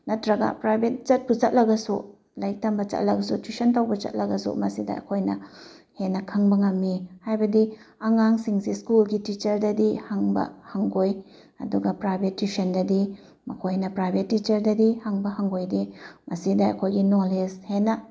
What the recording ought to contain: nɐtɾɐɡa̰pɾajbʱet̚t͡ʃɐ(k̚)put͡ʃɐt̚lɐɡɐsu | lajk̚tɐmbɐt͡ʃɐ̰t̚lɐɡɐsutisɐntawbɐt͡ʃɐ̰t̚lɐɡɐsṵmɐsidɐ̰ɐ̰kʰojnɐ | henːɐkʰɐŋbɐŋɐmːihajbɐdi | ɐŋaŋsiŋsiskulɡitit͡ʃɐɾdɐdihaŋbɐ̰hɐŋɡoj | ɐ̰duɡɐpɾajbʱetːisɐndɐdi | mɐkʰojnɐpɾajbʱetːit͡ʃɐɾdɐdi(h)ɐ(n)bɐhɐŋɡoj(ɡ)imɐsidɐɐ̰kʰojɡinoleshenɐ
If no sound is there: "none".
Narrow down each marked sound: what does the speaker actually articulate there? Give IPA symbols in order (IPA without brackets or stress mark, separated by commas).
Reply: t̚, h, ŋ, d